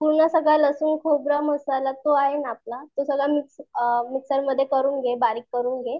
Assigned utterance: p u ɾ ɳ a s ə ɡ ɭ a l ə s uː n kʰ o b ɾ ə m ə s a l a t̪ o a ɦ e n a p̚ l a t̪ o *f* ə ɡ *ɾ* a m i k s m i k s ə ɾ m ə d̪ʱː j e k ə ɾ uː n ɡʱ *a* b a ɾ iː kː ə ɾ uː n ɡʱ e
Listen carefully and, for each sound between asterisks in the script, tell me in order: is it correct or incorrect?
incorrect, incorrect, incorrect

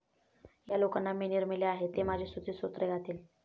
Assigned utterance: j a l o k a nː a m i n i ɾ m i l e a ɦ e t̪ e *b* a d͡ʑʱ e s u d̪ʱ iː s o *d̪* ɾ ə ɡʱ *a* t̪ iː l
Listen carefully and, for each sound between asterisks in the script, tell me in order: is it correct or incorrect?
incorrect, incorrect, correct

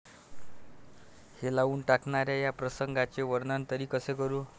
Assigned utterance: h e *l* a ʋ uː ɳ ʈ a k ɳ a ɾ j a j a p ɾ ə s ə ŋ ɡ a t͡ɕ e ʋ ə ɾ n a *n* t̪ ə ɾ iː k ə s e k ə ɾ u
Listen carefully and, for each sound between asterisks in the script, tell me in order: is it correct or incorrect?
correct, correct

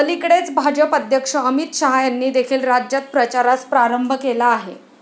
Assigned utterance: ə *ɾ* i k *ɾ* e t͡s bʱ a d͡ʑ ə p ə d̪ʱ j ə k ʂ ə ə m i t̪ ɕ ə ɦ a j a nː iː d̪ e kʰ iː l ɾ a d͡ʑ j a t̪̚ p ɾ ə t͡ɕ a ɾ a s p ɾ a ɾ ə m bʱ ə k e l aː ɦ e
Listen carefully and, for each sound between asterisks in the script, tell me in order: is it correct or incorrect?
incorrect, incorrect

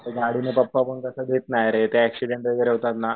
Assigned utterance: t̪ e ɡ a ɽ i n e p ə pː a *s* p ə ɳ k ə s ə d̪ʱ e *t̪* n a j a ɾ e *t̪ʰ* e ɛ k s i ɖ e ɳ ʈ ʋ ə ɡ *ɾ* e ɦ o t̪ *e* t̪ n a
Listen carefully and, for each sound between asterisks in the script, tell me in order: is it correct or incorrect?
incorrect, correct, incorrect, correct, incorrect

